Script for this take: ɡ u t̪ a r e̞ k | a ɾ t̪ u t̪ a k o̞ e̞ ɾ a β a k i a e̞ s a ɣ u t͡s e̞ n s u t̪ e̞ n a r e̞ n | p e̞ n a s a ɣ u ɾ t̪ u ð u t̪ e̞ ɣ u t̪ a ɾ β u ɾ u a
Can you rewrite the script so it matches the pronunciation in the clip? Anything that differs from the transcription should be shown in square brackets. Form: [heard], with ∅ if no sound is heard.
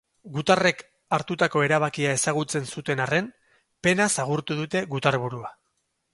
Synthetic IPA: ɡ u t̪ a r e̞ k | a ɾ t̪ u t̪ a k o̞ e̞ ɾ a β a k i a e̞ s a ɣ u t͡s e̞ n s u t̪ e̞ n a r e̞ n | p e̞ n a s a ɣ u ɾ t̪ u ð u t̪ e̞ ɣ u t̪ a ɾ β u ɾ u a